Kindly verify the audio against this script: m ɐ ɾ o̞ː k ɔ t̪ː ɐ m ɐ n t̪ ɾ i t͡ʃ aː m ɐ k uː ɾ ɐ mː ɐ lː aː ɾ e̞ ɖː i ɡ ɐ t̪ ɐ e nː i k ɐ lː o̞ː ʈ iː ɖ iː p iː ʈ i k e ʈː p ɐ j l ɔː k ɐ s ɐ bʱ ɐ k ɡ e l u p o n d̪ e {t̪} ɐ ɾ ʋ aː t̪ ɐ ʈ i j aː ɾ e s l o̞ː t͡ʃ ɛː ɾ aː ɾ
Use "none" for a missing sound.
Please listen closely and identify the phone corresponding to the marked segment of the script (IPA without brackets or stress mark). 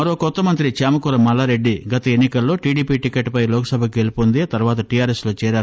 t̪